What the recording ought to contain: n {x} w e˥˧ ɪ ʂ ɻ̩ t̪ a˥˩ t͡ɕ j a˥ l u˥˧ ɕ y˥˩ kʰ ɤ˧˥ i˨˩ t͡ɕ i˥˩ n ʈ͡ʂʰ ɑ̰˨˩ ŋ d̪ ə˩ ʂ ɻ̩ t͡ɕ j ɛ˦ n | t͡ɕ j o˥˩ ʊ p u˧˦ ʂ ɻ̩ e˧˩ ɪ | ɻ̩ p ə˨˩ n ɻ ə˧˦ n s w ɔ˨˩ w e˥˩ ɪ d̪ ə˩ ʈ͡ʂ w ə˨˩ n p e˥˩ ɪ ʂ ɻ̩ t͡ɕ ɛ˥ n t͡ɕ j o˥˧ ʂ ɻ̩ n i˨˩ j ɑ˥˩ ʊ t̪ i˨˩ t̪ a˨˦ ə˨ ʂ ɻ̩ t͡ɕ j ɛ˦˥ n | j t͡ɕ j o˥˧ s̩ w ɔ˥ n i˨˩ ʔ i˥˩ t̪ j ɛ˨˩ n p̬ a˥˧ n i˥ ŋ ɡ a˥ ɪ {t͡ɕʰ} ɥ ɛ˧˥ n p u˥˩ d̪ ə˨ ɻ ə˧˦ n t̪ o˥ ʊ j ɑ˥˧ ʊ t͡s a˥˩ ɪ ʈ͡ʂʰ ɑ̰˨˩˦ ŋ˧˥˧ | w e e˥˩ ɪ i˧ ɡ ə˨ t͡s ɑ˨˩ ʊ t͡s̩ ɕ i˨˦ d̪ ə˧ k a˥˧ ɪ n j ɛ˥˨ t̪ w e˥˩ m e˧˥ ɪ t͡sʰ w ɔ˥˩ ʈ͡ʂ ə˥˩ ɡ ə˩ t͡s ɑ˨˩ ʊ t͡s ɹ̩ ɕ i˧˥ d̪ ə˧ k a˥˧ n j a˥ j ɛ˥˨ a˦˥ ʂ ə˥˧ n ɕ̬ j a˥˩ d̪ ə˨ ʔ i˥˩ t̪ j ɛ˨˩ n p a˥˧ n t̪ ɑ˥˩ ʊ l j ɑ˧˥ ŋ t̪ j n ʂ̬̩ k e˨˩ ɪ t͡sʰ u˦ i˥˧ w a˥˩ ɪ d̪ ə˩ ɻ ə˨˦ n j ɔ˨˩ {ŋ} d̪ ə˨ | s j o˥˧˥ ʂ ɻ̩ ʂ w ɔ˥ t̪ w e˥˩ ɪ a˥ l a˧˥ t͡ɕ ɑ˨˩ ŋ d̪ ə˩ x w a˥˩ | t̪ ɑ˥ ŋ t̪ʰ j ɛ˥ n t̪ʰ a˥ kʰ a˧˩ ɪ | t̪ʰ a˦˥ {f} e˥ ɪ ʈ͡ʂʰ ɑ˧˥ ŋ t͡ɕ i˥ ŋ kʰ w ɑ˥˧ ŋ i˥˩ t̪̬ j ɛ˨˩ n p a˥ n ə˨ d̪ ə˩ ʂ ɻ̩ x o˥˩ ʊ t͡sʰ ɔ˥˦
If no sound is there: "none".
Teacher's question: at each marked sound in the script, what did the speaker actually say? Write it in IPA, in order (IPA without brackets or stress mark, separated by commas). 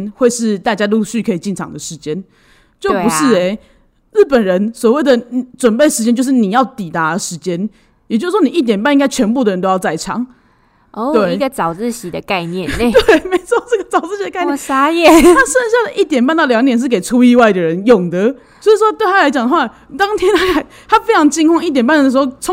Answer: x, t͡ɕʰ, ŋ, f